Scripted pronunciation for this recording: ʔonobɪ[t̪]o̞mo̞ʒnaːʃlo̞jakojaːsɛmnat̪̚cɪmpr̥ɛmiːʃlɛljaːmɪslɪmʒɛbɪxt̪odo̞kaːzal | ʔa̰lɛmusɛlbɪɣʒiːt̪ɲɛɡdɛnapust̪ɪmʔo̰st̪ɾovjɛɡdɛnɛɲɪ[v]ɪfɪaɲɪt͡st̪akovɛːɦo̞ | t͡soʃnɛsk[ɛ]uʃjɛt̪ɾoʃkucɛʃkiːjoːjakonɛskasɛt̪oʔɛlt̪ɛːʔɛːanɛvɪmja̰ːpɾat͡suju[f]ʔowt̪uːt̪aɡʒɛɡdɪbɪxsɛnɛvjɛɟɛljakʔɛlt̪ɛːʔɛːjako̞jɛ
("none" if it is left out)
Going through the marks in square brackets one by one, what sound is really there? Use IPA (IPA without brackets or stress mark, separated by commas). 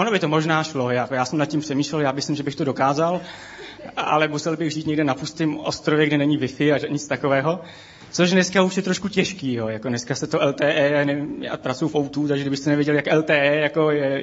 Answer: t̪, v, a, f